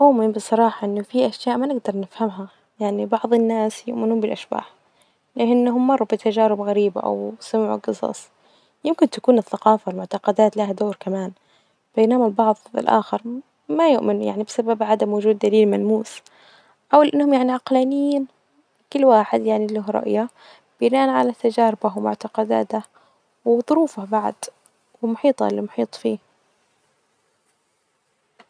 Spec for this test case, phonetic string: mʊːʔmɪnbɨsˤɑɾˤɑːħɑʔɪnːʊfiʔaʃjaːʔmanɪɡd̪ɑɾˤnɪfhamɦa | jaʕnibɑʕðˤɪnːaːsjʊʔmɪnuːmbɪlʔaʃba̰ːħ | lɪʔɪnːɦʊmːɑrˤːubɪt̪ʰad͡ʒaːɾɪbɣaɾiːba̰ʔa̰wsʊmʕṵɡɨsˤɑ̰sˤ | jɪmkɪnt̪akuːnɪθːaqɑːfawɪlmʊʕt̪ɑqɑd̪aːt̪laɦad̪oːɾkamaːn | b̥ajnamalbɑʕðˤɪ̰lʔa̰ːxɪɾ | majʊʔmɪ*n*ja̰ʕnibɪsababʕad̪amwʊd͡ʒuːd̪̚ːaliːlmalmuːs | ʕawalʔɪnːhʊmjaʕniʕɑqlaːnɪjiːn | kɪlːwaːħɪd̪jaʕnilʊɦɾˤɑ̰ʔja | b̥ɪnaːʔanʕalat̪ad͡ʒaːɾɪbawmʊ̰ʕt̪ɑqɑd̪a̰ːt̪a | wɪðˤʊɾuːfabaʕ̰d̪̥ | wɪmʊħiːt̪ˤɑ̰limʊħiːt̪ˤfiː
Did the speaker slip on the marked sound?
no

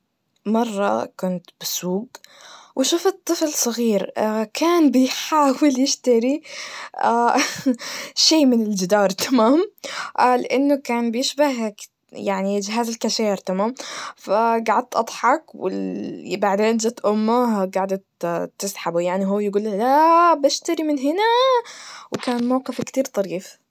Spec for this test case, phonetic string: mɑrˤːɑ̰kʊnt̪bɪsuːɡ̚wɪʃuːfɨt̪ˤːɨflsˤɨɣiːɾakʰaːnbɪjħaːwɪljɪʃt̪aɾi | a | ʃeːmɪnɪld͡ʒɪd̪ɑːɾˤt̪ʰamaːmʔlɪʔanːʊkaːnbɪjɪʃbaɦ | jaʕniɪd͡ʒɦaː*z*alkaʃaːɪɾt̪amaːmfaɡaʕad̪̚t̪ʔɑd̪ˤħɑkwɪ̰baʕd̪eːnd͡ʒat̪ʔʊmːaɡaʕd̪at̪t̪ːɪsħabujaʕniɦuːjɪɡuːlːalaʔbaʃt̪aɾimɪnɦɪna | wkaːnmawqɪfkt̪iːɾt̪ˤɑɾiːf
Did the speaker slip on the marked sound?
no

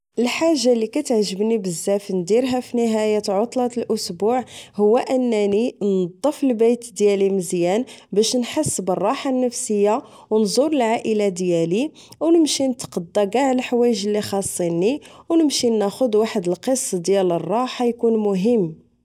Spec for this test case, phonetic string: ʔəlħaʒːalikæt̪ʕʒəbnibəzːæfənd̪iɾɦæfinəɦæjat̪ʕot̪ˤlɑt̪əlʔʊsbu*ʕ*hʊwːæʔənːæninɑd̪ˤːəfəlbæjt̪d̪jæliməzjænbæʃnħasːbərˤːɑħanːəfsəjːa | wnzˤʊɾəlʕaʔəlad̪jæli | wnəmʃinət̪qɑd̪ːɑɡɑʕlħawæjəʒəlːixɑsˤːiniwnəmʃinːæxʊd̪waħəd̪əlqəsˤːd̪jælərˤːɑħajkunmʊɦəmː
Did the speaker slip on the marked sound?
no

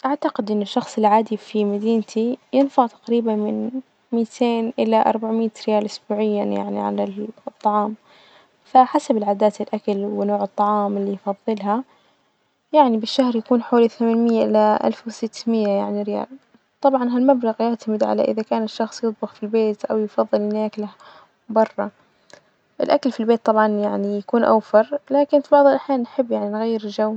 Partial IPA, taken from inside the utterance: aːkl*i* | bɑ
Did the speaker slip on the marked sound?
yes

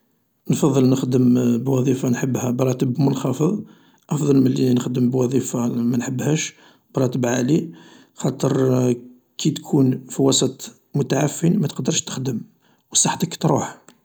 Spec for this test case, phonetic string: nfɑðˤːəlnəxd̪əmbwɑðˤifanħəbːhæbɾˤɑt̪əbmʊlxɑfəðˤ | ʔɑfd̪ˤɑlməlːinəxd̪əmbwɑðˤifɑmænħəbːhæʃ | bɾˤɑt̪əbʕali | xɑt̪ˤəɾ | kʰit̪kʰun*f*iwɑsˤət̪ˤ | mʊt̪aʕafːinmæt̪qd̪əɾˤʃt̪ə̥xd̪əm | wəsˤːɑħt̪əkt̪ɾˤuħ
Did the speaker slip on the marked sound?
no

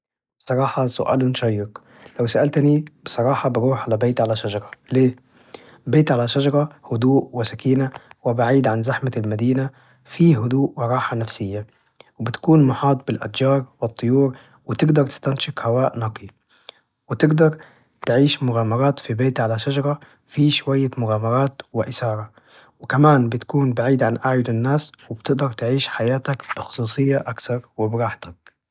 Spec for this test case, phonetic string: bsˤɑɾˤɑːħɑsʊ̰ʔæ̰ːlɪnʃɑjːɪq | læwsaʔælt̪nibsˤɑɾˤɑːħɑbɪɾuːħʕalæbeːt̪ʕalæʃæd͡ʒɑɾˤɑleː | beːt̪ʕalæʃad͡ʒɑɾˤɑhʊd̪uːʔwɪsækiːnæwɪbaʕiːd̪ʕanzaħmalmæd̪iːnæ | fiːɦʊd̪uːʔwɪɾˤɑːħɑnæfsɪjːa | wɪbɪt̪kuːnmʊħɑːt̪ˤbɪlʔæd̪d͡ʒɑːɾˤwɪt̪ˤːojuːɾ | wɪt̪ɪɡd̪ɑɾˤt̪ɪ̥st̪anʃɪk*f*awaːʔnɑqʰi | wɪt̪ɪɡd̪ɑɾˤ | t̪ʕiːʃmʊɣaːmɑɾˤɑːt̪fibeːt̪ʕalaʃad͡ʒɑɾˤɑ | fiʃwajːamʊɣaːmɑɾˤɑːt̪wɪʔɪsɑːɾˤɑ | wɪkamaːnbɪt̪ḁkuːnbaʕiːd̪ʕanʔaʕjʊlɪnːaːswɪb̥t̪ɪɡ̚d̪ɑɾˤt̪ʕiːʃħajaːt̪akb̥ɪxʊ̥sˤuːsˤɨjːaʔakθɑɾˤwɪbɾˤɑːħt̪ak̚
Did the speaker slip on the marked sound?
yes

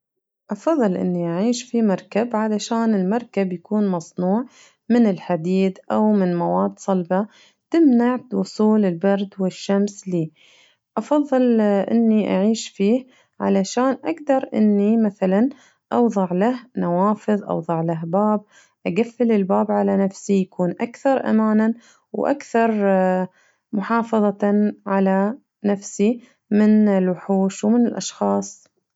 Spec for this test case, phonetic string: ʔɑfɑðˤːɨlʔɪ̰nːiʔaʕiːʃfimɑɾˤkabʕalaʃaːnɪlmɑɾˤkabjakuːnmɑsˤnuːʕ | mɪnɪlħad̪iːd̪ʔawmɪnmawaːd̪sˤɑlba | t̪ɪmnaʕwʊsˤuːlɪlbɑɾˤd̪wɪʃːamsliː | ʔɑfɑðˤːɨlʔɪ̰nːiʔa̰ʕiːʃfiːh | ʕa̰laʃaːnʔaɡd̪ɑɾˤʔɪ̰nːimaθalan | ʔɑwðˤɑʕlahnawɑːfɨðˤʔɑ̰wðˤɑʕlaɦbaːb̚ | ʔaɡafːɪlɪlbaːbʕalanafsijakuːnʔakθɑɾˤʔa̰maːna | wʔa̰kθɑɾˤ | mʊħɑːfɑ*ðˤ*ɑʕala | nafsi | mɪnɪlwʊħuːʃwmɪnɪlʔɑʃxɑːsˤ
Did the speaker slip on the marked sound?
no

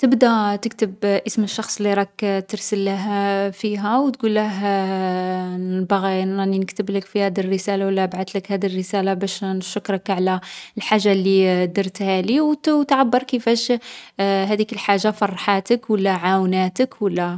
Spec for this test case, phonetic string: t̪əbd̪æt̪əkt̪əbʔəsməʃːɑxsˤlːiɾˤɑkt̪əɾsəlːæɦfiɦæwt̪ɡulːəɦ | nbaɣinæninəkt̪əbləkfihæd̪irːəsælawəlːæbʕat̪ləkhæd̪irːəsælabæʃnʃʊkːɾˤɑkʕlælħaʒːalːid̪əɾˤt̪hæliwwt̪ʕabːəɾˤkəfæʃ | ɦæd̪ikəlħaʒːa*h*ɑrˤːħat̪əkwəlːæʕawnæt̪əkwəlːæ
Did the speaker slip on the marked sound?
yes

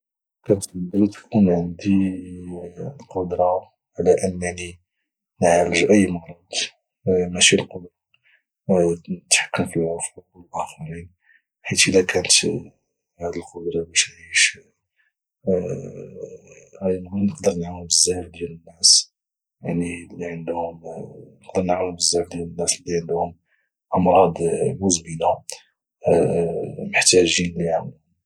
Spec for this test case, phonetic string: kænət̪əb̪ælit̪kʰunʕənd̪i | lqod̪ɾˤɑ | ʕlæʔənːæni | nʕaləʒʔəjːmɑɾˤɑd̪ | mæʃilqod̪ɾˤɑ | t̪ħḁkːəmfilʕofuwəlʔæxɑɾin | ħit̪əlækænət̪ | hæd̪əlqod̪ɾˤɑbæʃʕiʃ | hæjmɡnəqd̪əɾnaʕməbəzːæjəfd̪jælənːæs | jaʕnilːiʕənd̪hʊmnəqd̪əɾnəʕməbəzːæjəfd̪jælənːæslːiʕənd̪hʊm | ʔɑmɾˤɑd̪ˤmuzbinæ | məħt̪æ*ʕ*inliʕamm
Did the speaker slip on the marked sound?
yes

